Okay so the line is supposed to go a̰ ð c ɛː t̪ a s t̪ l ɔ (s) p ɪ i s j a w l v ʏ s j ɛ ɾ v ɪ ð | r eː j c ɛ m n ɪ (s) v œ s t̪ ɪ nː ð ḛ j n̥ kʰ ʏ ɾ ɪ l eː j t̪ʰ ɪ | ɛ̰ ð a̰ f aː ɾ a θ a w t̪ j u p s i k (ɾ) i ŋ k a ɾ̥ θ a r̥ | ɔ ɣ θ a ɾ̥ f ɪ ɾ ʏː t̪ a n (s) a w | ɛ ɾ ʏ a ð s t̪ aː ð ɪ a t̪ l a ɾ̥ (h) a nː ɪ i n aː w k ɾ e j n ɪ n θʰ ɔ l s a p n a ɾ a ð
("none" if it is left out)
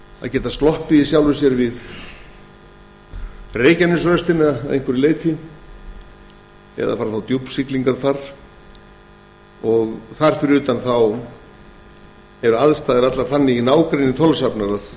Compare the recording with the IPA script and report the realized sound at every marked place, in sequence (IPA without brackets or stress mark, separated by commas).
h, s, l, θ, θ